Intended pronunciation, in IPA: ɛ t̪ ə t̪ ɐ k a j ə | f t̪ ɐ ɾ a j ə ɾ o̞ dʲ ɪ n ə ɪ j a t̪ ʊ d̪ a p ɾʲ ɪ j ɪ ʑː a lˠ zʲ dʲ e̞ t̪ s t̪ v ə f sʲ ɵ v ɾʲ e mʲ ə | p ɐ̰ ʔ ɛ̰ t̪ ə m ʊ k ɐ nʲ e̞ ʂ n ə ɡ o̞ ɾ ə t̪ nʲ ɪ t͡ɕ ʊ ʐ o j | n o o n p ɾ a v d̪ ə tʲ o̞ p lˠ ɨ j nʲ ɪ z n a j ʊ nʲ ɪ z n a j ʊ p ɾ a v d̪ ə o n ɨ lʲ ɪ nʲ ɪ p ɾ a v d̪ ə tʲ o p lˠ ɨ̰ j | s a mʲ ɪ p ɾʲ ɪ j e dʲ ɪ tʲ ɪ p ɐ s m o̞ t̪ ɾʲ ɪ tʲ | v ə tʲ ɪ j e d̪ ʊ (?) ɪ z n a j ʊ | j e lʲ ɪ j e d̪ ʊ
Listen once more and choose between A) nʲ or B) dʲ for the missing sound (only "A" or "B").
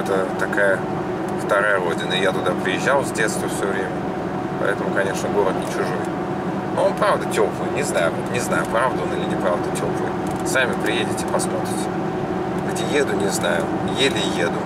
A